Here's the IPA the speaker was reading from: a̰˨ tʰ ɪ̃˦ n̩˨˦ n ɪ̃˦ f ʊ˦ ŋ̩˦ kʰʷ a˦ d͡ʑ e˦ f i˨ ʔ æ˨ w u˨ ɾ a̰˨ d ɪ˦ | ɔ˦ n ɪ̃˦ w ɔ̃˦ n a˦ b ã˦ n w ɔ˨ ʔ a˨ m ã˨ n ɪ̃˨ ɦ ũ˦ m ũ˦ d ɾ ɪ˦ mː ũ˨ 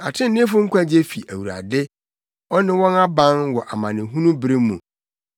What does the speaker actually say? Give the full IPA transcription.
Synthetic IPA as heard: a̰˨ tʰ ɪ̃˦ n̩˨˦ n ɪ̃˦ f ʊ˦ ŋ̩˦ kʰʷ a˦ d͡ʑ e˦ f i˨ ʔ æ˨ w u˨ ɾ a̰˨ d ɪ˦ | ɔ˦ n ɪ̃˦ w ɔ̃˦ n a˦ b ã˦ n w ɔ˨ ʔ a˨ m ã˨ n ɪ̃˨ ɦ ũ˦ n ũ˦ b ɾ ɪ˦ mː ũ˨